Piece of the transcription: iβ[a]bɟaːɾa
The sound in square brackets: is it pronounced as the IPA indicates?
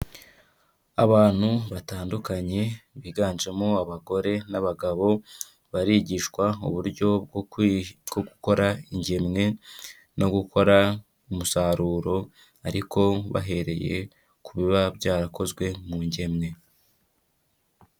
yes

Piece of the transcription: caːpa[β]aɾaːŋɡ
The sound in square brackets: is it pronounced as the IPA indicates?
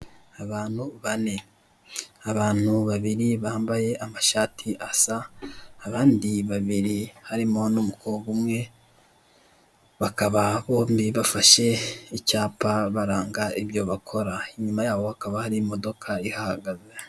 yes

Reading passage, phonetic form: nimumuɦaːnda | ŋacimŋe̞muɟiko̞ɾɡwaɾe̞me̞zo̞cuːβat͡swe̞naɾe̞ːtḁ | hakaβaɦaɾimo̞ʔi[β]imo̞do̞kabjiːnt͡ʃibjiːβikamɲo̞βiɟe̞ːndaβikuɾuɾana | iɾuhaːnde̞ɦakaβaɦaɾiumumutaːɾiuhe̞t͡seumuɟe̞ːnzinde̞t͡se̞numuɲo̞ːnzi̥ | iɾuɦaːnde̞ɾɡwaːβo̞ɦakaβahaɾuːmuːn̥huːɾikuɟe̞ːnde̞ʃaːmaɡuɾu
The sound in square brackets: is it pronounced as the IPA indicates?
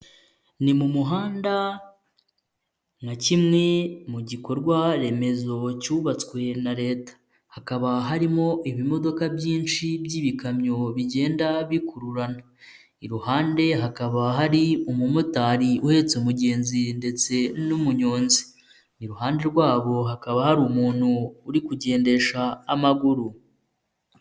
yes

